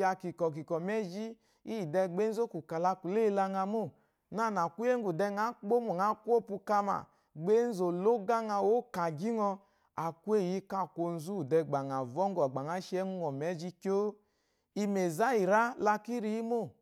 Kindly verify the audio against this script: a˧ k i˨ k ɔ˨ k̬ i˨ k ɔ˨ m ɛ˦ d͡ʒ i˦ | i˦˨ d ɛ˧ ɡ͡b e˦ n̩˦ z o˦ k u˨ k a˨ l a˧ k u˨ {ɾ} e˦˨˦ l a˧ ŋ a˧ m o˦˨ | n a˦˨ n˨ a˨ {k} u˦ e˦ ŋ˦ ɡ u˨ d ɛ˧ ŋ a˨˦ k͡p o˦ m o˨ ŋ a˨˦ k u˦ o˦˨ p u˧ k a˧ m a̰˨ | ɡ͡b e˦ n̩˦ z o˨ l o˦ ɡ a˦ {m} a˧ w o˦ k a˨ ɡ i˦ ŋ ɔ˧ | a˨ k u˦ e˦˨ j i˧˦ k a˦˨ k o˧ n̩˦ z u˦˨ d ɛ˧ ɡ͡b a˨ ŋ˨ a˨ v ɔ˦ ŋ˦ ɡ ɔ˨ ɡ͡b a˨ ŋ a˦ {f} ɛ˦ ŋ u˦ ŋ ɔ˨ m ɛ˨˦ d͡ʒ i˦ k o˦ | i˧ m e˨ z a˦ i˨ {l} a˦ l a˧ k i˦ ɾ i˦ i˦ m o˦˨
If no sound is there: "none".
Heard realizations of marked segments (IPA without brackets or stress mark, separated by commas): l, k, ŋ, ʃ, ɾ